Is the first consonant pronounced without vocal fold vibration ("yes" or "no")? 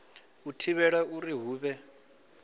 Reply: yes